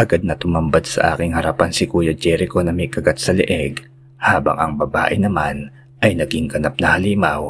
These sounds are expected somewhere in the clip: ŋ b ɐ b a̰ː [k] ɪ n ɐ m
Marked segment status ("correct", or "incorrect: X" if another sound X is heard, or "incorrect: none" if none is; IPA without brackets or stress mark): incorrect: ʔ